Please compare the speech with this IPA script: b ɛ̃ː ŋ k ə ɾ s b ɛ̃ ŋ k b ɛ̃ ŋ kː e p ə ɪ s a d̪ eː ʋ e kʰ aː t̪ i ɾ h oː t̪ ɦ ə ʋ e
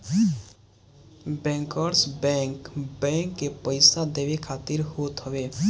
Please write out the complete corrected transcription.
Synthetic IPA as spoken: b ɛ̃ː ŋ k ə ɾ s b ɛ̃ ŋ k b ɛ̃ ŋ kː e p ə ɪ s a d̪ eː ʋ e kʰ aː t̪ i ɾ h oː t̪ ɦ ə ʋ e